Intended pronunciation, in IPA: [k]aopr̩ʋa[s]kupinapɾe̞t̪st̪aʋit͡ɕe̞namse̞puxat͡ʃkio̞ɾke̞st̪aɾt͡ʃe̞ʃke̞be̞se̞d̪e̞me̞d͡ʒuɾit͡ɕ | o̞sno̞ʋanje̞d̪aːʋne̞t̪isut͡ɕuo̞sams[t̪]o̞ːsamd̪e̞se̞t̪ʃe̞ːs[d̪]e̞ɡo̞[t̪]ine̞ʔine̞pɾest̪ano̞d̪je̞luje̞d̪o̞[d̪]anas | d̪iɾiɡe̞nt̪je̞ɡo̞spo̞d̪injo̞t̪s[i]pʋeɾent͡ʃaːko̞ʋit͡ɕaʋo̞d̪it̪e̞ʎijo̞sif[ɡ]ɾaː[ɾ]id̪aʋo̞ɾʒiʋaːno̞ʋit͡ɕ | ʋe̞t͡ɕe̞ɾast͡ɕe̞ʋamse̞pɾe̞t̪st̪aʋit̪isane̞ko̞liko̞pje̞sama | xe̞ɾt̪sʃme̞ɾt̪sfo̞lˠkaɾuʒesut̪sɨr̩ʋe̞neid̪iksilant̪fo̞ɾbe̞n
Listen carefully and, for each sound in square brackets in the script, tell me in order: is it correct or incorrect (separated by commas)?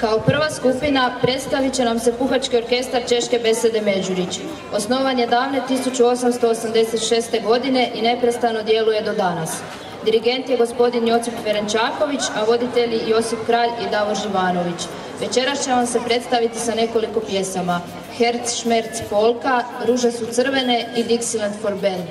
correct, correct, correct, incorrect, incorrect, correct, correct, incorrect, incorrect